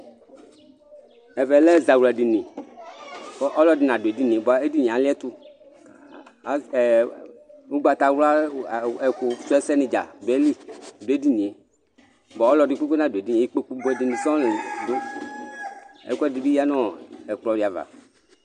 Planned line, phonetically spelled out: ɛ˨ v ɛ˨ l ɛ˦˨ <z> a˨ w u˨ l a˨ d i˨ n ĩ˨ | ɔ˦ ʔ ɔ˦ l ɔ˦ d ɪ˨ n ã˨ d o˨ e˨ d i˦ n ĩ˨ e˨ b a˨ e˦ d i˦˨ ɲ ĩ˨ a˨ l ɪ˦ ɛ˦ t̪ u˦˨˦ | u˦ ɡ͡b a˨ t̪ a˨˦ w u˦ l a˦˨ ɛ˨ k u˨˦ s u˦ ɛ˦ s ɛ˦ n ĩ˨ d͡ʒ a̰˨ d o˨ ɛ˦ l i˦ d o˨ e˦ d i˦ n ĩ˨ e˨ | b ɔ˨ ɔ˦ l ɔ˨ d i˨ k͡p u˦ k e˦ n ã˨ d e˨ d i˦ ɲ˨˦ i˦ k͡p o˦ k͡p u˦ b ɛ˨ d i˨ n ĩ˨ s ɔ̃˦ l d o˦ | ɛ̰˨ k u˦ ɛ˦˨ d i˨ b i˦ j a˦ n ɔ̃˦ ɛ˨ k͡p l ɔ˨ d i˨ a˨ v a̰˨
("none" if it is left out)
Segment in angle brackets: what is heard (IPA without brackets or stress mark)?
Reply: z